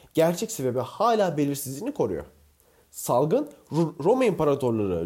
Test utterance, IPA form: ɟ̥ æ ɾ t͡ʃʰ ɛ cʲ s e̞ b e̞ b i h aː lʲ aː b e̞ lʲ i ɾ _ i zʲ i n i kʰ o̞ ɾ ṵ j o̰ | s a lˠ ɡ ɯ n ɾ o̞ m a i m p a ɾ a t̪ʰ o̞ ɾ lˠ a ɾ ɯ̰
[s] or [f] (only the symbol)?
s